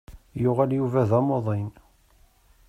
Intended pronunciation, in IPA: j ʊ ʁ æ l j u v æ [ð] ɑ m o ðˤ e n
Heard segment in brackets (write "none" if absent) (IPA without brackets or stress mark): ð